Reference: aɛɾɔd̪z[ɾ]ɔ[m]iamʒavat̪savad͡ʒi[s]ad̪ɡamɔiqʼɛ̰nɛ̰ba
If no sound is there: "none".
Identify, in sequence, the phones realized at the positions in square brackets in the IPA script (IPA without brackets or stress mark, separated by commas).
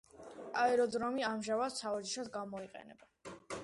ɾ, m, ʃ